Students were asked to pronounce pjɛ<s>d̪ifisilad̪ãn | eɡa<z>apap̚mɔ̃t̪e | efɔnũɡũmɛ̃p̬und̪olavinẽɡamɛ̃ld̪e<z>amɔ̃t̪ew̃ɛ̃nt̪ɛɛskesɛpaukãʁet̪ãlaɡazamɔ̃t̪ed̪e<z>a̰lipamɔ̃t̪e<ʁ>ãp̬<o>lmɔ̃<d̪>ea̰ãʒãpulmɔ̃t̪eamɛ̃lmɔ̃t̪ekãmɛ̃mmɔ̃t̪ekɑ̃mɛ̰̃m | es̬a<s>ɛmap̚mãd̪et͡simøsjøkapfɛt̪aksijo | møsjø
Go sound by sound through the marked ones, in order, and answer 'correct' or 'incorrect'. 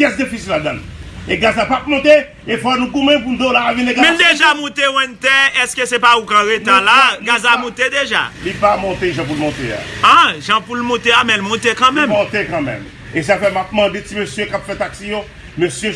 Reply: correct, correct, incorrect: ʒ, incorrect: ʒ, incorrect: ʒ, incorrect: u, incorrect: t̪, incorrect: f

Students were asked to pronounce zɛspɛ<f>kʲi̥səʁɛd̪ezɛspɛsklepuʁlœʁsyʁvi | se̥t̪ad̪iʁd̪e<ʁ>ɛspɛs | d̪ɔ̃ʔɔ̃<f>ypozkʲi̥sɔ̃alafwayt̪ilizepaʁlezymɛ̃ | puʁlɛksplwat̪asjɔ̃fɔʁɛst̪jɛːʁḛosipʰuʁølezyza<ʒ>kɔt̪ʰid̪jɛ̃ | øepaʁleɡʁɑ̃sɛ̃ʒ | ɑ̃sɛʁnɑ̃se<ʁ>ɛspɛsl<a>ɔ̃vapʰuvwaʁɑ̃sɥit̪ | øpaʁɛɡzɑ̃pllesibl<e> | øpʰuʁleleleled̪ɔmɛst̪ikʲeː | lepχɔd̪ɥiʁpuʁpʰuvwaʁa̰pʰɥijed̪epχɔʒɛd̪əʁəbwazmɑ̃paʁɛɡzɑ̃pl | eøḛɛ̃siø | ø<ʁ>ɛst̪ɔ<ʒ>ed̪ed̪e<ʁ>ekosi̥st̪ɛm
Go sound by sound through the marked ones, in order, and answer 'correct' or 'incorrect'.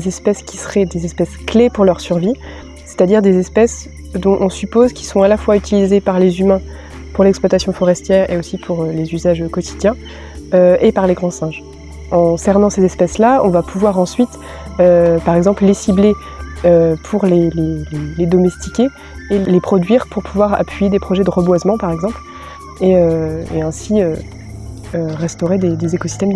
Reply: incorrect: s, incorrect: z, incorrect: s, correct, incorrect: z, correct, correct, correct, incorrect: ʁ, incorrect: z

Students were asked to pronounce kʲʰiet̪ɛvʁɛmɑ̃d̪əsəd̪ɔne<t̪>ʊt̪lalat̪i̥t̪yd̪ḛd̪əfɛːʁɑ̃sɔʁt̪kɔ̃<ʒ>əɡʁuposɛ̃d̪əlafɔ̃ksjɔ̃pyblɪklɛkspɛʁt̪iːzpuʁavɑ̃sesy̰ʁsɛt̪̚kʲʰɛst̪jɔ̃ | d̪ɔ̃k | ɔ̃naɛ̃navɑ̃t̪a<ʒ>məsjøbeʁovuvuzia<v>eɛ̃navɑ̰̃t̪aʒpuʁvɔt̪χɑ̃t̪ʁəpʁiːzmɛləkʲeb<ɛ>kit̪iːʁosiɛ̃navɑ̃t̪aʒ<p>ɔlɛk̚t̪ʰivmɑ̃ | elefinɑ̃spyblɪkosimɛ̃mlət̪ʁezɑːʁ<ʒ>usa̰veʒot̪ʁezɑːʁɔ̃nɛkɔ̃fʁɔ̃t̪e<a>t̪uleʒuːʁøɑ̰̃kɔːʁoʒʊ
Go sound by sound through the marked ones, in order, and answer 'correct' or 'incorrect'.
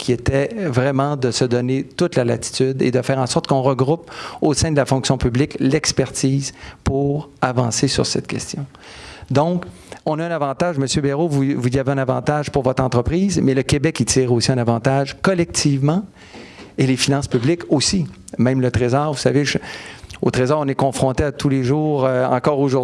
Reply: correct, incorrect: ʁ, correct, correct, correct, incorrect: k, incorrect: v, correct

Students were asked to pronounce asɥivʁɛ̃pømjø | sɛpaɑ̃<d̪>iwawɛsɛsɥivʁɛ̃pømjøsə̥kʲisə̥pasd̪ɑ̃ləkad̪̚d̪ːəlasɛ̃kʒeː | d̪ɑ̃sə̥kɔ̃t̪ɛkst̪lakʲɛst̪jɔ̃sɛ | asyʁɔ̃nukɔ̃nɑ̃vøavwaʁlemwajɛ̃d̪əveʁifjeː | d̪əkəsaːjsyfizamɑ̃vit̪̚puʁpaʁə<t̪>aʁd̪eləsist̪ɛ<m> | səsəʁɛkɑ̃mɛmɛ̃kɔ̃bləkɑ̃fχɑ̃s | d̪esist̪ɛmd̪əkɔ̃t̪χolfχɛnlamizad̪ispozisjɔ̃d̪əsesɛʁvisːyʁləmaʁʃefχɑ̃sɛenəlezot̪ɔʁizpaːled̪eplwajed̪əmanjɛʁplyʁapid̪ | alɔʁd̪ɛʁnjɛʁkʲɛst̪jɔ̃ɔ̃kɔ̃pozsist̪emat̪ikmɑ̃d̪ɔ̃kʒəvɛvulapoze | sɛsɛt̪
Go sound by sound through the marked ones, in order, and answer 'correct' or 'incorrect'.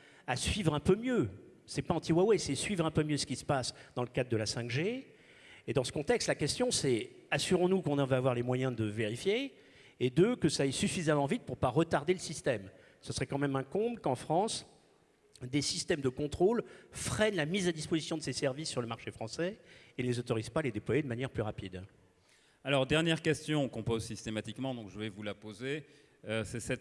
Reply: incorrect: t̪, correct, correct

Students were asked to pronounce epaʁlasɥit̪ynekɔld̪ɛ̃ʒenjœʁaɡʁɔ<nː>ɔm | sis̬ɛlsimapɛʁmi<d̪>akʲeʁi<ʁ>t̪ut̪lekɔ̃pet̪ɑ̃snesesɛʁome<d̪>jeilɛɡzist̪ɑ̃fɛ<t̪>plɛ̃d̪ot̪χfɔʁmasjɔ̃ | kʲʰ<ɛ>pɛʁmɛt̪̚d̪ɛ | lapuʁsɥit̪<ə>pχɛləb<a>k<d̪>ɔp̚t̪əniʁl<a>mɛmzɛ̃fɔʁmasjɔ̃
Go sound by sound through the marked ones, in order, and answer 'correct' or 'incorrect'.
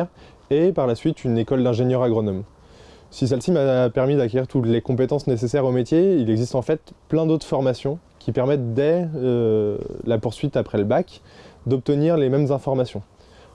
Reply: incorrect: n, correct, correct, incorrect: t̪, correct, incorrect: i, incorrect: a, correct, correct, incorrect: e

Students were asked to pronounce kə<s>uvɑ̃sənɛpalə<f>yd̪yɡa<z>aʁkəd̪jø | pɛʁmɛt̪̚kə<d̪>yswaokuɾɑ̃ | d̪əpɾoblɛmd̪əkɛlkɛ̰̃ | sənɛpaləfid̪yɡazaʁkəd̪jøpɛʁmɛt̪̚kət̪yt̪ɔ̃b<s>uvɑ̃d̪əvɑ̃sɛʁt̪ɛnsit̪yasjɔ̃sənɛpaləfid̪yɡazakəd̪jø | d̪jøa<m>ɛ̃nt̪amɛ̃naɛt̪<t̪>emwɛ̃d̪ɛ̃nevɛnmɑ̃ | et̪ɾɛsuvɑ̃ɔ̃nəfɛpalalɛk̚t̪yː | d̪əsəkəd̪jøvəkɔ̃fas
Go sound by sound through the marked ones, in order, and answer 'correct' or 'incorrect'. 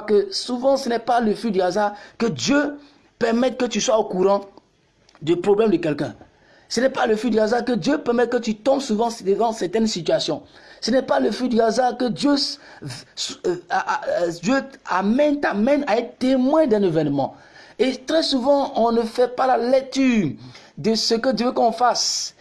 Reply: correct, correct, correct, incorrect: t̪, correct, correct, correct

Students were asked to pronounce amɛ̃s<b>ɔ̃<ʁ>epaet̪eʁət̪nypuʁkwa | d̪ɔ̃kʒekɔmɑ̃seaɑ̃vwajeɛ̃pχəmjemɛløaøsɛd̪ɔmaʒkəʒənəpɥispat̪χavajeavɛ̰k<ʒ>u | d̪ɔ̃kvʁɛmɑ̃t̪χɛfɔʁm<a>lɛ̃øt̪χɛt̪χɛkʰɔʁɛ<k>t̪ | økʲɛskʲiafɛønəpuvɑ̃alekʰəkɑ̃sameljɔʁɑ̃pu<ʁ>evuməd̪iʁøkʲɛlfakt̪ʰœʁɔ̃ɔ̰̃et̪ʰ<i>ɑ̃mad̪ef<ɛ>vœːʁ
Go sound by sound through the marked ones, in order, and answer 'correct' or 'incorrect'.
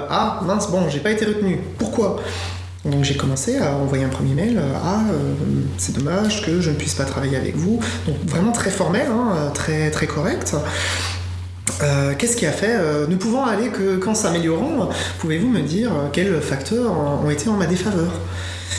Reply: correct, incorrect: ʒ, incorrect: v, incorrect: ɛ, correct, incorrect: v, incorrect: e, incorrect: a

